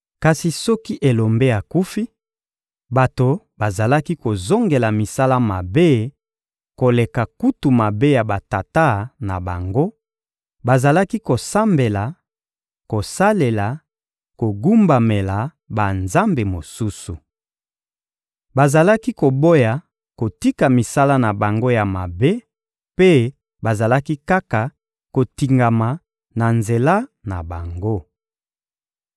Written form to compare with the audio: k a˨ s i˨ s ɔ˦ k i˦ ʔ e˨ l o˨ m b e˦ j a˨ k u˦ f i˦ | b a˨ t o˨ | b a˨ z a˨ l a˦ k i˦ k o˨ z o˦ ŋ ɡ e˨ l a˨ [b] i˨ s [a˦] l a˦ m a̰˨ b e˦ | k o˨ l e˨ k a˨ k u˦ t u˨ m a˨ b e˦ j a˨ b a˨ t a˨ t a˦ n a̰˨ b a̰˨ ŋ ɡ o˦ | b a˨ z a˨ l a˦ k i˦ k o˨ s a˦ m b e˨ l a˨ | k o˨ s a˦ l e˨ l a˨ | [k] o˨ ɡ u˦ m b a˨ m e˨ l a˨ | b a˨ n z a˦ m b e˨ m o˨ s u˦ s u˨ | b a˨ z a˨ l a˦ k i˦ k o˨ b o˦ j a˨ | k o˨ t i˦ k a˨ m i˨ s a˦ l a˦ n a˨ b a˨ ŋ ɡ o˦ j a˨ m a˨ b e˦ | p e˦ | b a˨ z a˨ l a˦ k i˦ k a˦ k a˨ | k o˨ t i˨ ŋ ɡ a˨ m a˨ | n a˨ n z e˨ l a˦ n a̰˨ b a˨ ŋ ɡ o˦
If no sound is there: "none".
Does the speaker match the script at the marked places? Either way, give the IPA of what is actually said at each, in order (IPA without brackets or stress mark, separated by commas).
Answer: m, a˦, k